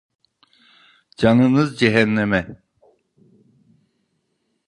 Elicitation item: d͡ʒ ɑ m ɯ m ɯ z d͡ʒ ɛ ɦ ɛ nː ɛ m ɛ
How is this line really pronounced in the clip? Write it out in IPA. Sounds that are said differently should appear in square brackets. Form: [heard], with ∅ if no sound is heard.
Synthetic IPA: d͡ʒ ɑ [n] ɯ [n] ɯ z d͡ʒ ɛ ɦ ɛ nː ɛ m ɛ